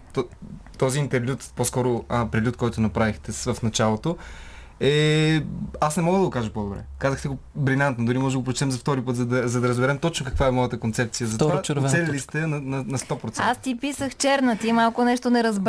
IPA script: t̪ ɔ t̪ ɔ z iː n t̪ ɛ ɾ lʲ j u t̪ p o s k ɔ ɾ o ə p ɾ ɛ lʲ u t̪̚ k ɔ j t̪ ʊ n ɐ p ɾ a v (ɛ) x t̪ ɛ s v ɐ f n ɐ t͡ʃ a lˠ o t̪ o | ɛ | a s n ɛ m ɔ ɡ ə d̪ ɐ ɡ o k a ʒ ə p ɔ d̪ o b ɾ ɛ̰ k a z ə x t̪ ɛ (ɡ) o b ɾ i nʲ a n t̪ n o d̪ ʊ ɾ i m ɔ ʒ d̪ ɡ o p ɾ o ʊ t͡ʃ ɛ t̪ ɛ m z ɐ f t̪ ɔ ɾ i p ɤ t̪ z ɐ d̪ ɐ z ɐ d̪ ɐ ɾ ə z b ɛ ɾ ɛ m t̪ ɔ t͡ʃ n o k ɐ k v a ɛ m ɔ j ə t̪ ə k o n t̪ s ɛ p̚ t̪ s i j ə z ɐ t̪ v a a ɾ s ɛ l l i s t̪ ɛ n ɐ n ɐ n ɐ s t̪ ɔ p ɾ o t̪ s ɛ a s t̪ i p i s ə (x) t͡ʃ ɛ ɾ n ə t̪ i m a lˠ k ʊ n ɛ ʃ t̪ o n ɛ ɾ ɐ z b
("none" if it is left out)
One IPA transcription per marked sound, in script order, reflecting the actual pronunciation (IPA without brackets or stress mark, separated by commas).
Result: i, ɡ, x